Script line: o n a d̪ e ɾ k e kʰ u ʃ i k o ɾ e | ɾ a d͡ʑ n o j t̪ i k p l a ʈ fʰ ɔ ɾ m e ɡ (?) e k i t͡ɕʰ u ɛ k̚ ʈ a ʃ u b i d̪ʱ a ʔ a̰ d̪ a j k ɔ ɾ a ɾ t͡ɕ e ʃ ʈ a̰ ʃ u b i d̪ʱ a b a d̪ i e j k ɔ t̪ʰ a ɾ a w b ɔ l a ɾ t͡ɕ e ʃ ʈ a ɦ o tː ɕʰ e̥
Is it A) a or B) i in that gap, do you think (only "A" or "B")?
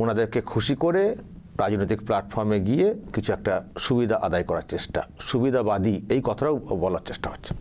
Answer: B